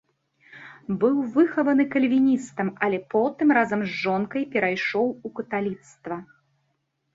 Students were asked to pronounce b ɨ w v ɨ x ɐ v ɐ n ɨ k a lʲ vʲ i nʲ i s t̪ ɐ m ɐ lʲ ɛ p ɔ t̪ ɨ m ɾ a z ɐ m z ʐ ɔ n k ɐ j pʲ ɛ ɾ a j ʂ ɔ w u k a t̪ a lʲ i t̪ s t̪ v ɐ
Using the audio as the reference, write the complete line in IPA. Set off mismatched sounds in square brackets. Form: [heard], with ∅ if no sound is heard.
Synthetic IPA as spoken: b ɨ w v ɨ x ɐ v ɐ n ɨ k [ɐ] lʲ vʲ i nʲ i s t̪ ɐ m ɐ lʲ ɛ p ɔ t̪ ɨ m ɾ a z ɐ m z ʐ ɔ n k ɐ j pʲ ɛ ɾ a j ʂ ɔ w u k [ɐ] t̪ a lʲ i t̪ s t̪ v ɐ